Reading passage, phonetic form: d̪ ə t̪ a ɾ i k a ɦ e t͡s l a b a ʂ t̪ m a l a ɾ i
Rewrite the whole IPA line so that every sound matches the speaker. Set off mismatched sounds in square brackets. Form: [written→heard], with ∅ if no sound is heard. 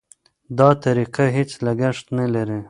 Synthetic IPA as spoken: d̪ [ə→ɑ] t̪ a ɾ i [k→q] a ɦ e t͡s l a [b→ɡ] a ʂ t̪ [m→n] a l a ɾ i